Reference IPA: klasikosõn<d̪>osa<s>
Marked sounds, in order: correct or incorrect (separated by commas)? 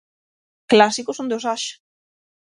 correct, incorrect